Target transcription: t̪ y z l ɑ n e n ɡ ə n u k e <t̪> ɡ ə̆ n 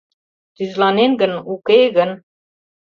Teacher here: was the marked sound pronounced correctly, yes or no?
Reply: no